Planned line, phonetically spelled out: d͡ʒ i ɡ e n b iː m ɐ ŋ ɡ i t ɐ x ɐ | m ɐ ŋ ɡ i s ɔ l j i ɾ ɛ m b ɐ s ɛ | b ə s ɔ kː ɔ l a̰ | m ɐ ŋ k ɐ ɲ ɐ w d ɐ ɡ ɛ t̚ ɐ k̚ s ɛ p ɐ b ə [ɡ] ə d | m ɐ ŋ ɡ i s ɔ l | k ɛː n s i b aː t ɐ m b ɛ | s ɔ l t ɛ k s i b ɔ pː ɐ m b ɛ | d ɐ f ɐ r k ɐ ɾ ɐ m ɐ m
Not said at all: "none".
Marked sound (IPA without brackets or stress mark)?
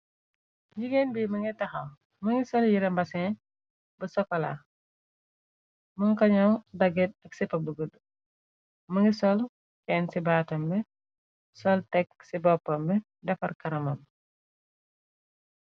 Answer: ɡ